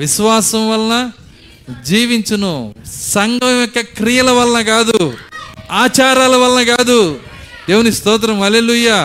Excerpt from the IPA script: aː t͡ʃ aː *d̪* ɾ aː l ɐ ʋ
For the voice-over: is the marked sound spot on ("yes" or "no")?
no